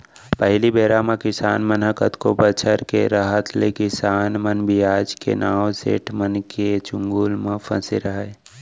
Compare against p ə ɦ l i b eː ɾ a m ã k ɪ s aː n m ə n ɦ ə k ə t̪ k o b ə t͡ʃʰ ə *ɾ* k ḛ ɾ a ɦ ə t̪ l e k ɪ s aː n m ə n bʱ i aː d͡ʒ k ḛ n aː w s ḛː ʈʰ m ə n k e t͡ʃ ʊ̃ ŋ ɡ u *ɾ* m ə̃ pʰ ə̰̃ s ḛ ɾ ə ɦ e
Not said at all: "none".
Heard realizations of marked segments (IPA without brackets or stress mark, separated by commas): ɾ, l